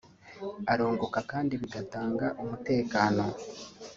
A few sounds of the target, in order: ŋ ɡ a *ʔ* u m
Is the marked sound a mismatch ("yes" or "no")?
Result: no